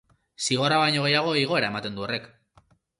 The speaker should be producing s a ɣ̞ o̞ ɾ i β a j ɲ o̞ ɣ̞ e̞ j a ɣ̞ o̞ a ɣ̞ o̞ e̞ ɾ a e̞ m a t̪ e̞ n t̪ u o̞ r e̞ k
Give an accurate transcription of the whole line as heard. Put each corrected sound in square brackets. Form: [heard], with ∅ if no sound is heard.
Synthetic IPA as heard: s [i] ɣ̞ o̞ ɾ [a] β a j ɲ o̞ ɣ̞ e̞ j a ɣ̞ o̞ [i] ɣ̞ o̞ e̞ ɾ a e̞ m a t̪ e̞ n [d̪] u o̞ r e̞ k